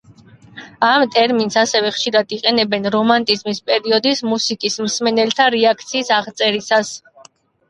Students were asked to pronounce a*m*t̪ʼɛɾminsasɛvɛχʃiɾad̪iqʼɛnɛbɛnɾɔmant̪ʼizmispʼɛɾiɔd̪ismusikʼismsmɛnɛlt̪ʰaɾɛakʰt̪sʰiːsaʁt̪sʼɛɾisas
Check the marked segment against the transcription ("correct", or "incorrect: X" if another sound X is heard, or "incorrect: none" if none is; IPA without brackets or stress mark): correct